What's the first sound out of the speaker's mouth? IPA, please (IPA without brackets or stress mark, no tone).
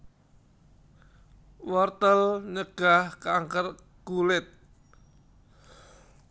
w